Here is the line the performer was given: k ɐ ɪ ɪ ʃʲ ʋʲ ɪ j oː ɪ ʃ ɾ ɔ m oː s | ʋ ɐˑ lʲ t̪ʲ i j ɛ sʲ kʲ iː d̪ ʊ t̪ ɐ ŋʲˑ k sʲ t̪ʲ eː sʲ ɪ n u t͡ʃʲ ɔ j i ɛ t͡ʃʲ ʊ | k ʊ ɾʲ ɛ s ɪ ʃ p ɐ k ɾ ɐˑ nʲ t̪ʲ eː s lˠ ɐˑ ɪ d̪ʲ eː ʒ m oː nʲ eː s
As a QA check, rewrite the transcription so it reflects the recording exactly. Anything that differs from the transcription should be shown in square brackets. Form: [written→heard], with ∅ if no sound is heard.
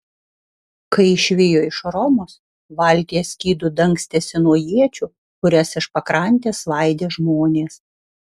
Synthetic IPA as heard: k ɐ ɪ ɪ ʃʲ ʋʲ ɪ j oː ɪ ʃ ɾ ɔ m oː s | ʋ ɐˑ lʲ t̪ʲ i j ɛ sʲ kʲ iː d̪ ʊ [t̪→d̪] ɐ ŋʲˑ k sʲ t̪ʲ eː sʲ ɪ n u [t͡ʃʲ→∅] ɔ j i ɛ t͡ʃʲ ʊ | k ʊ ɾʲ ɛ s ɪ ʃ p ɐ k ɾ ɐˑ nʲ t̪ʲ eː s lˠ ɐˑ ɪ d̪ʲ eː ʒ m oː nʲ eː s